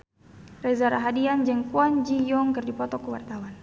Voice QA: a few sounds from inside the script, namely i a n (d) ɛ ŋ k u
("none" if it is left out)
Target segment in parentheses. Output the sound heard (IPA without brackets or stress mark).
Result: d͡ʒ